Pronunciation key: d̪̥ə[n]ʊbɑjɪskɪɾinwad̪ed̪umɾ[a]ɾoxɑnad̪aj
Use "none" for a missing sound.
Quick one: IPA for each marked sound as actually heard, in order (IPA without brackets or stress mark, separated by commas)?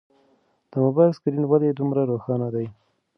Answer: m, a